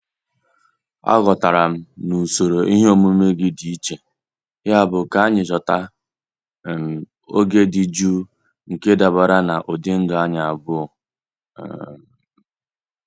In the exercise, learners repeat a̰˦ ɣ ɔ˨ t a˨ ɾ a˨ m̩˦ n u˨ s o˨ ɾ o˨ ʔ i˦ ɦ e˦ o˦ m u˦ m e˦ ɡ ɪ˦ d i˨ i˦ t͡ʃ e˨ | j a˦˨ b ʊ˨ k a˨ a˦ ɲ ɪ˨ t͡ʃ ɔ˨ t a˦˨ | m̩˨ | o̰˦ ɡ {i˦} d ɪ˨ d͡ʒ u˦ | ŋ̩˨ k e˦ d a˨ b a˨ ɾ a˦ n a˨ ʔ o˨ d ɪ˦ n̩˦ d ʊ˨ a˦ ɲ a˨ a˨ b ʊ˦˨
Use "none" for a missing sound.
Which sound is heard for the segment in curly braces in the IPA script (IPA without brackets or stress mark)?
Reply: e˦